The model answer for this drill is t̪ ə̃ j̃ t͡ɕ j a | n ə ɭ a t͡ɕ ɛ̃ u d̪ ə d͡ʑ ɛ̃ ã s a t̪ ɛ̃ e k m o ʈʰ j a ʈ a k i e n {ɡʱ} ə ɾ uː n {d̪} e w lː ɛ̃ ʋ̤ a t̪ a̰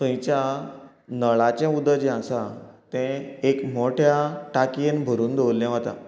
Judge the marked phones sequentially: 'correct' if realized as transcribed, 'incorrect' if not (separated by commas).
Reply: incorrect, correct